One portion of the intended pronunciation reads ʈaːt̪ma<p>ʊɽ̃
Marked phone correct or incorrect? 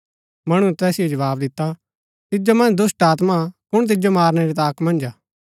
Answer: incorrect